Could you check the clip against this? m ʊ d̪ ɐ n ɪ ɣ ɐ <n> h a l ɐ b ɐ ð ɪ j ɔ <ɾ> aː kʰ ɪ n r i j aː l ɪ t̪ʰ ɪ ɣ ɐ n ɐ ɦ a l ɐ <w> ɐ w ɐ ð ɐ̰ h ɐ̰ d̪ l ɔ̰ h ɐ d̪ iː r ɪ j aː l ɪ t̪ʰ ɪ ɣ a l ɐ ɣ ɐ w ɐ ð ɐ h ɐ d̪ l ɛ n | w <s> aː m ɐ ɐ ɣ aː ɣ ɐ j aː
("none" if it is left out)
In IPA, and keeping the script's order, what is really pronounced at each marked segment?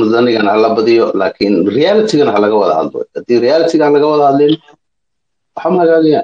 n, l, ɣ, ħ

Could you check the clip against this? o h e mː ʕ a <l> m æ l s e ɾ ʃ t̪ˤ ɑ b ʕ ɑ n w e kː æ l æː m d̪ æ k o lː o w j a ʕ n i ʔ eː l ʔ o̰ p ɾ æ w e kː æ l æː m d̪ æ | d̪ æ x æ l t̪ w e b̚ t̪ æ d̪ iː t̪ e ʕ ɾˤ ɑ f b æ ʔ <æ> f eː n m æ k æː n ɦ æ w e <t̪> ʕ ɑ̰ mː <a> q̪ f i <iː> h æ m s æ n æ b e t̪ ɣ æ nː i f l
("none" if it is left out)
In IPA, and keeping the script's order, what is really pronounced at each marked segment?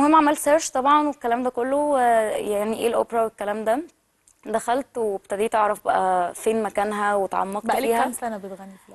none, æ, t̪, ɑ, iː

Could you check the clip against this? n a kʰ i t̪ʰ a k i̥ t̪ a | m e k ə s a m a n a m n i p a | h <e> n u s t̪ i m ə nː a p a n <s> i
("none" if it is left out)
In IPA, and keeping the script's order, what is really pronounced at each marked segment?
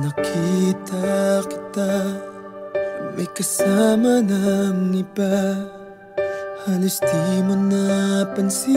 a, s

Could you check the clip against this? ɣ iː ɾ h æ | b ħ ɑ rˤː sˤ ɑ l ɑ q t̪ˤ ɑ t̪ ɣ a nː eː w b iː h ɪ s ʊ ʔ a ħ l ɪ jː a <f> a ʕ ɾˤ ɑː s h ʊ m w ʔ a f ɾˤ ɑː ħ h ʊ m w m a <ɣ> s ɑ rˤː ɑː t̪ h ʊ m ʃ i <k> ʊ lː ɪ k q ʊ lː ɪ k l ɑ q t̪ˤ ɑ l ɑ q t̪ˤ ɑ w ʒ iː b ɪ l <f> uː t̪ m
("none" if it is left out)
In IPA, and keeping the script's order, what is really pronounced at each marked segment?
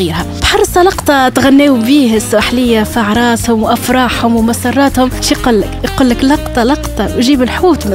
f, none, q, ħ

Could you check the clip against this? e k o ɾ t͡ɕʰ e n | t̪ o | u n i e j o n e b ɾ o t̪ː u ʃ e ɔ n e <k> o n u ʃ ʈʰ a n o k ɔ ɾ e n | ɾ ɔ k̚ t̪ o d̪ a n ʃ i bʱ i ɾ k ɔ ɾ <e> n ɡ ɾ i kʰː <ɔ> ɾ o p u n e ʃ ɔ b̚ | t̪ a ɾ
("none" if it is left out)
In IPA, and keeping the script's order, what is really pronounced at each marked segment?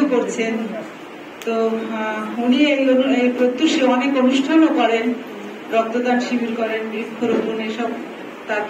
k, e, o

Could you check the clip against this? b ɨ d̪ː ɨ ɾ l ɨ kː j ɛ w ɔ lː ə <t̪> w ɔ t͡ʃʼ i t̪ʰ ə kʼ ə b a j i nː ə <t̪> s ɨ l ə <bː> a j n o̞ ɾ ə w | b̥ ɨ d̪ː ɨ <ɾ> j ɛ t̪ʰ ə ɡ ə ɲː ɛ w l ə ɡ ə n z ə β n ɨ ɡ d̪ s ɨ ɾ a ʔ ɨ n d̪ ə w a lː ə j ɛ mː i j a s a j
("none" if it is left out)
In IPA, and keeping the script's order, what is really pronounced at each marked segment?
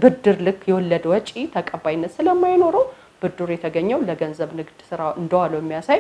d̪, t̪, mː, ɾ

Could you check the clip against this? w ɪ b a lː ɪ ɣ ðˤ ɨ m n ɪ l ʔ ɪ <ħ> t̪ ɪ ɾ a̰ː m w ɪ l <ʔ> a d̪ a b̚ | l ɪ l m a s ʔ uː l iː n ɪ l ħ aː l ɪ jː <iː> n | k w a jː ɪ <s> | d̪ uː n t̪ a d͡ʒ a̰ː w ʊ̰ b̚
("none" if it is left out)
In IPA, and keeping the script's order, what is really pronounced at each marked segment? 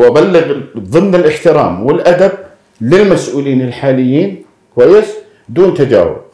ħ, ʔ, iː, s

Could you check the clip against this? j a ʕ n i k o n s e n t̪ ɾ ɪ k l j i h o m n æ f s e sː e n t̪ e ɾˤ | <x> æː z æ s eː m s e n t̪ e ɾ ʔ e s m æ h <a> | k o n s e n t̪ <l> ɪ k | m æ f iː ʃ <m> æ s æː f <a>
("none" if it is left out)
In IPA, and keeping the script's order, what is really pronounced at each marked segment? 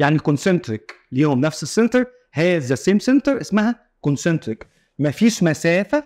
h, æ, ɾ, m, æ

